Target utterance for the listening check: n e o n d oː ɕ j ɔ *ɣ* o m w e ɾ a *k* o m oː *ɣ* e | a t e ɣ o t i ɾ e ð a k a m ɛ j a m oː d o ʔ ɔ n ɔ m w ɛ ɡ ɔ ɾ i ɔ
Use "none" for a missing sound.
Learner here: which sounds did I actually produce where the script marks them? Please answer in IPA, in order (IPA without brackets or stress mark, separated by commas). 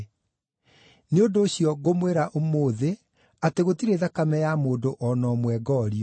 ɣ, ʔ, ð